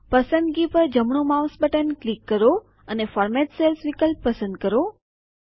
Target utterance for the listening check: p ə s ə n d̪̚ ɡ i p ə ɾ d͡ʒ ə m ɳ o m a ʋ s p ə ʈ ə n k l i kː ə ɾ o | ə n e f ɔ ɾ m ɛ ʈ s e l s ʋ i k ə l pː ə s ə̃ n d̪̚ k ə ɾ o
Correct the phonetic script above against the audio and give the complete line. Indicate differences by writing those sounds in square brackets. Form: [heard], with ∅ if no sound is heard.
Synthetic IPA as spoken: p ə s ə n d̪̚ ɡ i p ə ɾ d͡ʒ ə m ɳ o m a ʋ s [b] ə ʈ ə n k l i kː ə ɾ o | ə n e f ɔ ɾ m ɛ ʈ s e l s ʋ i k ə l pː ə s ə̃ n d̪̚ k ə ɾ o